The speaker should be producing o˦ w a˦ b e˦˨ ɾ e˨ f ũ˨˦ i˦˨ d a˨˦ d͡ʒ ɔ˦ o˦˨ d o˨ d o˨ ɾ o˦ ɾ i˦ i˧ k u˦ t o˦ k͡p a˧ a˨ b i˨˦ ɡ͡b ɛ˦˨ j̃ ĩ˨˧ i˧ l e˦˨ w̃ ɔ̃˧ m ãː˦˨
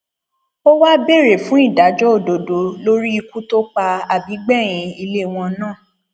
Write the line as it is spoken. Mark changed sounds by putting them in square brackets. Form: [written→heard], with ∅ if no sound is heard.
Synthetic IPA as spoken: o˦ w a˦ b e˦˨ ɾ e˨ f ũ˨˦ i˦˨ d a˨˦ d͡ʒ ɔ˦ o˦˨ d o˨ d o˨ [ɾ→l] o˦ ɾ i˦ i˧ k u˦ t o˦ k͡p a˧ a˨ b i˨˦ ɡ͡b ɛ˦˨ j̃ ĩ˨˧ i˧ l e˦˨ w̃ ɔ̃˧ [m→n] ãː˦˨